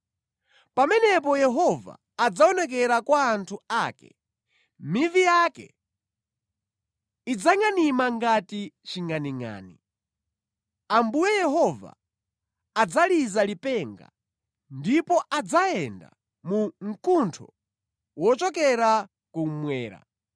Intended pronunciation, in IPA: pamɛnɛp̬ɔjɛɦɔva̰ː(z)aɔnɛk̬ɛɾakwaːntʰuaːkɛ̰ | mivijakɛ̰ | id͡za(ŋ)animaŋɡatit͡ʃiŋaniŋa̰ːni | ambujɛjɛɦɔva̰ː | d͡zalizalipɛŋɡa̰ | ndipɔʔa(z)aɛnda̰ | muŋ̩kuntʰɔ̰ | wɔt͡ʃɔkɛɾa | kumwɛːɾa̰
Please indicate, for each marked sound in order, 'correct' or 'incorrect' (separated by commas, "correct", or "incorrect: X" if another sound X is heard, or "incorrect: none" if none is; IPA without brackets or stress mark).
incorrect: d͡z, correct, incorrect: d͡z